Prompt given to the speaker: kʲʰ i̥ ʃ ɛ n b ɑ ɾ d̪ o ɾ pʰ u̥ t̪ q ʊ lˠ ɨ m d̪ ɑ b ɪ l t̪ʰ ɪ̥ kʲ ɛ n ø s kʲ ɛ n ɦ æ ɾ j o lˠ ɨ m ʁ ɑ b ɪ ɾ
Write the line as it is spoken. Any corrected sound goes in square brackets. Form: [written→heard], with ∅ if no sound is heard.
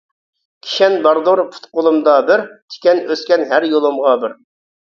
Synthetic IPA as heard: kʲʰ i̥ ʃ ɛ n b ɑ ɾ d̪ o ɾ pʰ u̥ t̪ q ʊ lˠ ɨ m d̪ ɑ b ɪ [l→ɾ] t̪ʰ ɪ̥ kʲ ɛ n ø s kʲ ɛ n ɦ æ ɾ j o lˠ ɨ m ʁ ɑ b ɪ ɾ

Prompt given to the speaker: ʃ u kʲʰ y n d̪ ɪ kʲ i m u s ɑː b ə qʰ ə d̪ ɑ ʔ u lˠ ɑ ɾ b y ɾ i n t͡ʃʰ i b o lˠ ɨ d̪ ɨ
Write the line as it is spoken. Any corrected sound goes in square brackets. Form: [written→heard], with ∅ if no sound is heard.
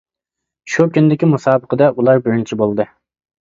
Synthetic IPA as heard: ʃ u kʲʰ y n d̪ ɪ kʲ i m u s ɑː b ə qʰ ə d̪ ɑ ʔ u lˠ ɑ ɾ b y ɾ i n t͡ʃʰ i b o lˠ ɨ d̪ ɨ

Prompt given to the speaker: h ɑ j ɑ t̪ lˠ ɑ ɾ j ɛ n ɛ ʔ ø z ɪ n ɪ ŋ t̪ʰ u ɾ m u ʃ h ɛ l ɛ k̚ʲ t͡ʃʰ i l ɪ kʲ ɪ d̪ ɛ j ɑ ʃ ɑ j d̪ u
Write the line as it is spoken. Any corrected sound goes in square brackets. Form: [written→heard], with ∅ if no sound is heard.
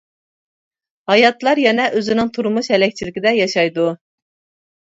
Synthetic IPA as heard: h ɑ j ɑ t̪ lˠ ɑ ɾ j ɛ n ɛ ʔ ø z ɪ n ɪ ŋ t̪ʰ u ɾ m u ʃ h ɛ l ɛ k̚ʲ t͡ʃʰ i l ɪ kʲ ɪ d̪ ɛ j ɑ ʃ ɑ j d̪ u

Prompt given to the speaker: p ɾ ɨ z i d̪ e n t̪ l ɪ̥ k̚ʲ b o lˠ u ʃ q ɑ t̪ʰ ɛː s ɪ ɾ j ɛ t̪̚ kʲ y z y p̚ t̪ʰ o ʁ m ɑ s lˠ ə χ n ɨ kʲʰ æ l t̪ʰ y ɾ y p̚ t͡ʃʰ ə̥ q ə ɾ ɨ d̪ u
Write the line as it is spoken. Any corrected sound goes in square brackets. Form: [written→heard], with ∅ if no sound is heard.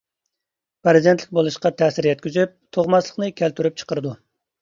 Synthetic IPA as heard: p ɾ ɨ z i d̪ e n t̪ l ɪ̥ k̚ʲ b o lˠ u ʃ q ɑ t̪ʰ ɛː s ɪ ɾ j ɛ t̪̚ kʲ y z y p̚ t̪ʰ o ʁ m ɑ s lˠ ə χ n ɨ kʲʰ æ l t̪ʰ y ɾ y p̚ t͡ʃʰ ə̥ q ə ɾ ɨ d̪ u

